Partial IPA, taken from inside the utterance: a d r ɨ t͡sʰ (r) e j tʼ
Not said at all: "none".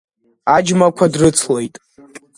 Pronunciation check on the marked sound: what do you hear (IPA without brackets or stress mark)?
l